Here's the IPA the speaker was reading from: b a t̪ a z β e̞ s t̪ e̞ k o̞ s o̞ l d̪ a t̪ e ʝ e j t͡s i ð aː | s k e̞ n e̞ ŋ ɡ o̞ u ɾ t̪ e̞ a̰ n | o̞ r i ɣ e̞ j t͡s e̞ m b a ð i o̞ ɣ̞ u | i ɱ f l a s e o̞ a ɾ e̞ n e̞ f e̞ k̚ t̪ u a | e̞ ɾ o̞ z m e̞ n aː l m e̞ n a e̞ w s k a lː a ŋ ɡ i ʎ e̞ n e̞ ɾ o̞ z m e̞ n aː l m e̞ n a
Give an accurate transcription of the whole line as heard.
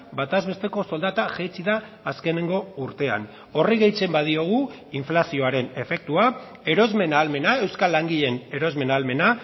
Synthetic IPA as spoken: b a t̪ a z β e̞ s t̪ e̞ k o̞ s o̞ l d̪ a t̪ a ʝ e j t͡s i ð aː | s k e̞ n e̞ ŋ ɡ o̞ u ɾ t̪ e̞ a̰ n | o̞ r i ɣ e̞ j t͡s e̞ m b a ð i o̞ ɣ̞ u | i ɱ f l a s i o̞ a ɾ e̞ n e̞ f e̞ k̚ t̪ u a | e̞ ɾ o̞ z m e̞ n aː l m e̞ n a e̞ w s k a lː a ŋ ɡ i ʎ e̞ n e̞ ɾ o̞ z m e̞ n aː l m e̞ n a